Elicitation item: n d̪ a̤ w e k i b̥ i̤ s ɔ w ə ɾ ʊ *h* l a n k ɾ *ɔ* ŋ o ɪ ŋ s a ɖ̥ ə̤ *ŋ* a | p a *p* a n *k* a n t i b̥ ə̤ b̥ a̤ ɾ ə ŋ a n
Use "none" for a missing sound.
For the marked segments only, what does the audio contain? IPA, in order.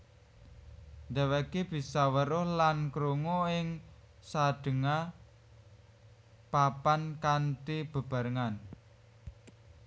h, u, ŋ, p, k

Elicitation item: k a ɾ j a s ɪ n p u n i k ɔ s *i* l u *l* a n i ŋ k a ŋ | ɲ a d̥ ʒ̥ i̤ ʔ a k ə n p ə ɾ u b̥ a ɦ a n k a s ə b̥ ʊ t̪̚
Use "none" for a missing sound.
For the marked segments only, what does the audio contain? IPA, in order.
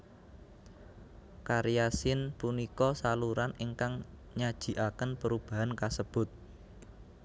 a, ɾ

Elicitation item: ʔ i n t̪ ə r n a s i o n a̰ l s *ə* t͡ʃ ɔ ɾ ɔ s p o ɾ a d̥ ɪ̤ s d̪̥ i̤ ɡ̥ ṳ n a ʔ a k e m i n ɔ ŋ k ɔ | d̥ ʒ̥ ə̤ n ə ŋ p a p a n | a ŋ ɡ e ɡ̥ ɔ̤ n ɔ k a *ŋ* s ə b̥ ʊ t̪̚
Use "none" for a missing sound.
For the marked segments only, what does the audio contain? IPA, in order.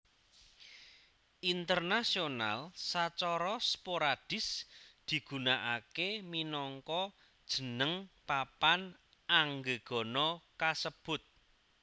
a, none

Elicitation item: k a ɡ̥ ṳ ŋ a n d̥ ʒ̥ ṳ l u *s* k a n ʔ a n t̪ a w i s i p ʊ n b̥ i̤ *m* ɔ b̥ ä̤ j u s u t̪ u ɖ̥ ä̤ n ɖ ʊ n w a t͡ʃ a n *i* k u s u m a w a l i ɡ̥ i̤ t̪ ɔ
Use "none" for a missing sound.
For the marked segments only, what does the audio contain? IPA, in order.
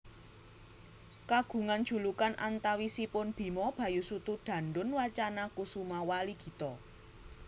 none, m, a

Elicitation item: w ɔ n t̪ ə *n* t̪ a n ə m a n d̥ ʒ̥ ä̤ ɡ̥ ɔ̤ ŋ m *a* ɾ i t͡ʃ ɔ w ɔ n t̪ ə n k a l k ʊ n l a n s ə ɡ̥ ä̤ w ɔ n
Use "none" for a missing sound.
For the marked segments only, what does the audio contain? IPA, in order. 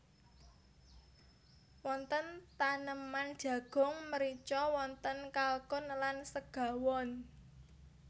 n, ə

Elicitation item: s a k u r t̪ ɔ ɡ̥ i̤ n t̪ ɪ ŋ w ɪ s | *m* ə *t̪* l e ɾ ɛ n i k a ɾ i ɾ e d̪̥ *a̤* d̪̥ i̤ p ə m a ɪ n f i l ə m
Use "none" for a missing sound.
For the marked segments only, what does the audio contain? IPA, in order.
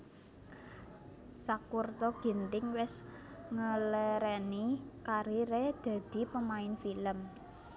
ŋ, none, a̤

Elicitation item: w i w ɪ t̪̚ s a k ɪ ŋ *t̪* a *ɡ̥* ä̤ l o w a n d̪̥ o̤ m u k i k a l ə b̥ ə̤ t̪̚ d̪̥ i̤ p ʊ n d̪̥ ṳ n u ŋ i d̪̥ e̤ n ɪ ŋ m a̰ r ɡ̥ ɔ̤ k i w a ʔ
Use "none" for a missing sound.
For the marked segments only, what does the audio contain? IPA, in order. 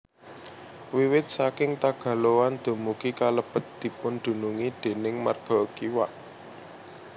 t̪, ɡ̥

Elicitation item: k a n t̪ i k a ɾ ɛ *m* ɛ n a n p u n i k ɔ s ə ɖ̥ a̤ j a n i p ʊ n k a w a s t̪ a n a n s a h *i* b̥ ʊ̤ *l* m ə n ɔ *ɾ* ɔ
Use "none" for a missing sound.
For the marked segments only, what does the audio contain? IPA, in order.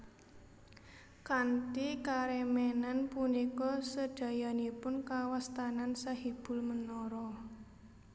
m, i, l, ɾ

